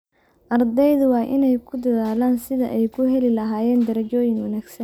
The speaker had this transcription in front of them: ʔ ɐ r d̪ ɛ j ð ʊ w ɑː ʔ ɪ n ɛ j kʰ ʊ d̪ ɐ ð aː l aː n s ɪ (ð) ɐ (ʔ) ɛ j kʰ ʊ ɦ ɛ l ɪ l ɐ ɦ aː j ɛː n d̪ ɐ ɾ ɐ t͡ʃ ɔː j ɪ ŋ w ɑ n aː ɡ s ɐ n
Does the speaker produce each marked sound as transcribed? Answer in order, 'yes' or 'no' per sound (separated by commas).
yes, yes